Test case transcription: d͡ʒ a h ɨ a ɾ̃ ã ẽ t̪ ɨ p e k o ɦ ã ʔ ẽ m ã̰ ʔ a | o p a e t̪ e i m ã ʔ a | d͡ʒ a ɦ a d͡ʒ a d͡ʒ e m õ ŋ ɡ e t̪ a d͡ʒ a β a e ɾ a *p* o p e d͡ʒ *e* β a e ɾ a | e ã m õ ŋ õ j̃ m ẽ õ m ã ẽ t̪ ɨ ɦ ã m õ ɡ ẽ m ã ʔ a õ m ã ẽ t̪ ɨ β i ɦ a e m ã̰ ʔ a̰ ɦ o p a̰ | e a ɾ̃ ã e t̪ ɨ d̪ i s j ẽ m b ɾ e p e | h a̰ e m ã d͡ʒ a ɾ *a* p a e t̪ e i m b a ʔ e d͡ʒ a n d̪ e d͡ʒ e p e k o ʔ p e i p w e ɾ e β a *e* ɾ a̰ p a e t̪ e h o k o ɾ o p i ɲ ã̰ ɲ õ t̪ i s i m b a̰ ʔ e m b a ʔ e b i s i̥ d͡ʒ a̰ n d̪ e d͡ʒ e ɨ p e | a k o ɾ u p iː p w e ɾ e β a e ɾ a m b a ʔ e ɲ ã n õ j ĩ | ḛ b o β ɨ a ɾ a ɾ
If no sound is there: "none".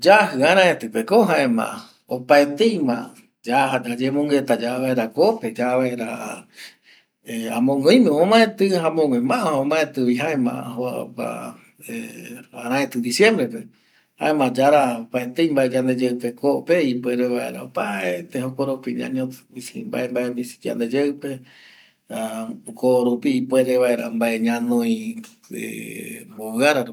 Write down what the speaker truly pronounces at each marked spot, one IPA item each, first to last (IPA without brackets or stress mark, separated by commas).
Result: k, a, a, e